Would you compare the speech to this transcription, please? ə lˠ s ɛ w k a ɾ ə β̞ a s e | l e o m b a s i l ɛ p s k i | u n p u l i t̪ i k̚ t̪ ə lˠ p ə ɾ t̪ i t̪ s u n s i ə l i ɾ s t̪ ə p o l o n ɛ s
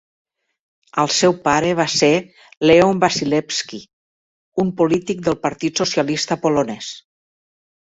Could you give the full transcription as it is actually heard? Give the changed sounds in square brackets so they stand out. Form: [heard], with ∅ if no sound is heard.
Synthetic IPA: ə lˠ s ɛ w [p] a ɾ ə β̞ a s e | l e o m b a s i l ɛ p s k i | u [m] p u l i t̪ i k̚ [d̪] ə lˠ p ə ɾ t̪ i t̪ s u [∅] s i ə l i [∅] s t̪ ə p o l o n ɛ s